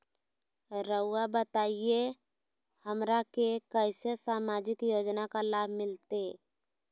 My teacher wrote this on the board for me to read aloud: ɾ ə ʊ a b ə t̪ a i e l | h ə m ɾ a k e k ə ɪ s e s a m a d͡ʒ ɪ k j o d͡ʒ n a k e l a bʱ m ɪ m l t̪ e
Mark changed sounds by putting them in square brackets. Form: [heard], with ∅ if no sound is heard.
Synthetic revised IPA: ɾ ə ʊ a b ə t̪ a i e [∅] | h ə m ɾ a k e k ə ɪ s e s a m a d͡ʒ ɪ k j o d͡ʒ n a k [a] l a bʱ m ɪ [∅] l t̪ e

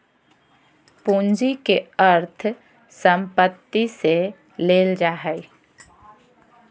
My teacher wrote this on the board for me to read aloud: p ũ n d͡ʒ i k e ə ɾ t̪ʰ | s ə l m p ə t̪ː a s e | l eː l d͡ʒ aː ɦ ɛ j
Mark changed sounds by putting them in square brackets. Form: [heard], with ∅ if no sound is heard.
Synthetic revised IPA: p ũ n d͡ʒ i k e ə ɾ t̪ʰ | s ə [∅] m p ə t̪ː [i] s e | l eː l d͡ʒ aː ɦ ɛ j

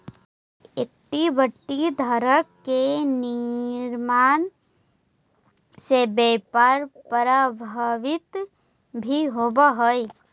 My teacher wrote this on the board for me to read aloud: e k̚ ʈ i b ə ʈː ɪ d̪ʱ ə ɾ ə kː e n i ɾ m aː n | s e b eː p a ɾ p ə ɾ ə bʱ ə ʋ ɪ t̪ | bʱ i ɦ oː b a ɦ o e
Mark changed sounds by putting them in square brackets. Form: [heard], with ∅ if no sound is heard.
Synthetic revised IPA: e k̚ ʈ i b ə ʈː [i] d̪ʱ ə ɾ ə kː e n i ɾ m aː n | s e b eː p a ɾ p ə ɾ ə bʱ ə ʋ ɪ t̪ | bʱ i ɦ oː b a ɦ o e

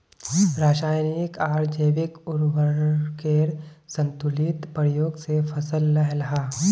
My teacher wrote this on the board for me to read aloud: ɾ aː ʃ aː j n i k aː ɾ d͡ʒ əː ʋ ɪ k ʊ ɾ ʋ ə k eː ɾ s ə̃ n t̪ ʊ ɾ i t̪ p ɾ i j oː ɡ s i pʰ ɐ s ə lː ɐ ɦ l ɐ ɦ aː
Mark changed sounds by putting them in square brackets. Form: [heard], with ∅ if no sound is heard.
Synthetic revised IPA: ɾ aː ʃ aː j n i k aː ɾ d͡ʒ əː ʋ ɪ k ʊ ɾ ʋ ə k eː ɾ s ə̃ n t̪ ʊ [l] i t̪ p ɾ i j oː ɡ s [e] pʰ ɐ s ə lː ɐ ɦ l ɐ ɦ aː

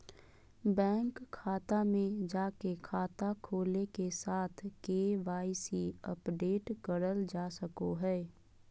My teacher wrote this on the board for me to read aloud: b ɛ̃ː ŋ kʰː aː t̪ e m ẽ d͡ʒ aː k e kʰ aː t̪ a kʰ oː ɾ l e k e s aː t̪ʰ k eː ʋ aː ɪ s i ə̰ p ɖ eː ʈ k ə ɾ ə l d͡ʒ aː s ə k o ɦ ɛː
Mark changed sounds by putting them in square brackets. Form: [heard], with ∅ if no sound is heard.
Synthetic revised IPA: b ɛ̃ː ŋ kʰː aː t̪ [a] m ẽ d͡ʒ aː k e kʰ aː t̪ a kʰ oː [∅] l e k e s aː t̪ʰ k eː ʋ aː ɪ s i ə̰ p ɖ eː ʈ k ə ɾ ə l d͡ʒ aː s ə k o ɦ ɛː

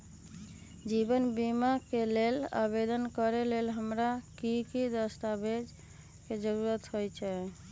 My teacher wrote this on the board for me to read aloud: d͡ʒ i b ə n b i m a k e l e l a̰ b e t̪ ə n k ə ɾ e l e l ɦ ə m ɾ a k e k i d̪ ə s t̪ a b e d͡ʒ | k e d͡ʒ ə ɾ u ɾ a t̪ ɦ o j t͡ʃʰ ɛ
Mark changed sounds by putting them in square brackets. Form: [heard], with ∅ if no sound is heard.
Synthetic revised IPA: d͡ʒ i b ə n b i m a k e l e l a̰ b e [d̪] ə n k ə ɾ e l e l ɦ ə m ɾ a k [i] k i d̪ ə s t̪ a b e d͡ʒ | k e d͡ʒ ə ɾ u ɾ [ə] t̪ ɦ o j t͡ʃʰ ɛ

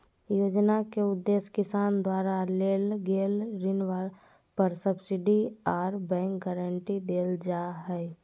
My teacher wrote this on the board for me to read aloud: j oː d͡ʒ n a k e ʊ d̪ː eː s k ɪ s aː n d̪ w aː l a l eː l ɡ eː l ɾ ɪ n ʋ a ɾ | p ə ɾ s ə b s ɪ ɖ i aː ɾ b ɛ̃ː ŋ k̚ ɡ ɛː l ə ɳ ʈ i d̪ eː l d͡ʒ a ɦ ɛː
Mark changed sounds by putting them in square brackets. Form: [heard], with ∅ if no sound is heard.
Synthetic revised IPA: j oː d͡ʒ n a k e ʊ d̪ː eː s k ɪ s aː n d̪ w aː [ɾ] a l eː l ɡ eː l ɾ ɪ n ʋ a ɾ | p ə ɾ s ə b s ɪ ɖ i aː ɾ b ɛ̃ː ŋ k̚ ɡ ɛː [ɾ] ə ɳ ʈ i d̪ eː l d͡ʒ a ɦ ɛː

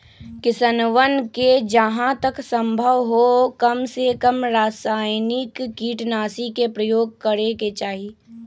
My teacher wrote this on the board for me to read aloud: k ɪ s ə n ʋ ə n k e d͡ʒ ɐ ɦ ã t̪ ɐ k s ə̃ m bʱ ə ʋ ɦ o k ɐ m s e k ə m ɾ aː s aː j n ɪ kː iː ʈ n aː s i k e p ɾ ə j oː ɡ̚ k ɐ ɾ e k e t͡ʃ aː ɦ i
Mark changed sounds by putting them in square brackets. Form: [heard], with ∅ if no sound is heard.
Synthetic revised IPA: k ɪ s ə n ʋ ə n k e d͡ʒ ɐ ɦ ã t̪ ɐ k s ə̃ m bʱ ə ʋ ɦ o k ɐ m s e k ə m ɾ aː s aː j n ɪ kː iː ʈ n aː s i k e p ɾ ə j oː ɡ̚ k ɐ ɾ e k e t͡ʃ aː ɦ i

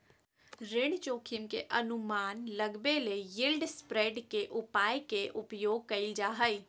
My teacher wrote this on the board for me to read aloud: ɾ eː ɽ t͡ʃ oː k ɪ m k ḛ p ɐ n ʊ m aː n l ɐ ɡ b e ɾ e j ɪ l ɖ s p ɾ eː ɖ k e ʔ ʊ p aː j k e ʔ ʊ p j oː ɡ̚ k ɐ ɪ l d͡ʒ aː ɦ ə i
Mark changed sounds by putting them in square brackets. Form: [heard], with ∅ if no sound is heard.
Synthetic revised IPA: ɾ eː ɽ t͡ʃ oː [kʰ] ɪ m k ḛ [ʔ] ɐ n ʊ m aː n l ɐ ɡ b e [l] e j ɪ l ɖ s p ɾ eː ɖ k e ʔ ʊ p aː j k e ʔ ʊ p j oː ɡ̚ k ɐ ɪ l d͡ʒ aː ɦ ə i

